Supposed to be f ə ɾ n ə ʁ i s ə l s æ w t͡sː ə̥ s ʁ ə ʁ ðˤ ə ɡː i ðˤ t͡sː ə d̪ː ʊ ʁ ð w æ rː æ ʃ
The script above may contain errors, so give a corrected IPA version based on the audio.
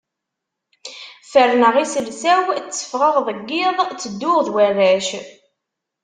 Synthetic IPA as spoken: f ə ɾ n ə ʁ i s ə l s æ w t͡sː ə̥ f ʁ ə ʁ ðˤ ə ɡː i ðˤ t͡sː ə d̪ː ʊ ʁ ð w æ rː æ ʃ